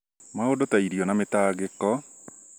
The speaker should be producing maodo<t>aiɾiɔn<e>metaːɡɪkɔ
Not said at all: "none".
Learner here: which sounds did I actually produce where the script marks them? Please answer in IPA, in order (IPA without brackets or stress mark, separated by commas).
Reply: t, a